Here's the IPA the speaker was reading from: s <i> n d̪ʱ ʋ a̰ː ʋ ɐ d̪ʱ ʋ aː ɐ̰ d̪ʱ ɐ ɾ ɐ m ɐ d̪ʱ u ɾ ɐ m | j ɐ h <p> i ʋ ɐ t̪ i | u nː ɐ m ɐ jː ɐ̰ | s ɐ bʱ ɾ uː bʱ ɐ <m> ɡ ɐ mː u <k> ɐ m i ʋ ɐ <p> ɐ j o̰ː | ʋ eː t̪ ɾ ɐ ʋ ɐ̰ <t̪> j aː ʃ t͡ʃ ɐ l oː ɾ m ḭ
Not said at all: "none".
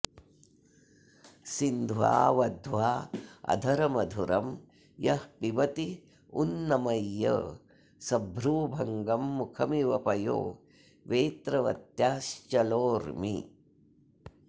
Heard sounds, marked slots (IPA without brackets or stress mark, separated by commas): i, p, ŋ, kʰ, p, t̪